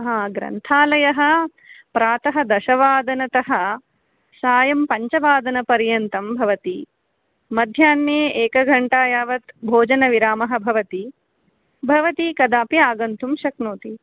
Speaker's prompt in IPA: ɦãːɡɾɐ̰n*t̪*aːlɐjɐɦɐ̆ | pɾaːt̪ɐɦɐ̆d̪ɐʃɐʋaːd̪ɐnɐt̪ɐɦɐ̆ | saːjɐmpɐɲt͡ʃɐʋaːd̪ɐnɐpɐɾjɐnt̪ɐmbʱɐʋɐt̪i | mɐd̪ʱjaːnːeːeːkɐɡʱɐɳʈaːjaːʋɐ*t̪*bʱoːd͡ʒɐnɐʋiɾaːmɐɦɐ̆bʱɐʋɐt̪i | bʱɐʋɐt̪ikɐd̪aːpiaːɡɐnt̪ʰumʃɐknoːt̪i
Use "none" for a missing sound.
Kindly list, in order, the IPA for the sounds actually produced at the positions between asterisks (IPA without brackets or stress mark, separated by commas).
t̪ʰ, t̪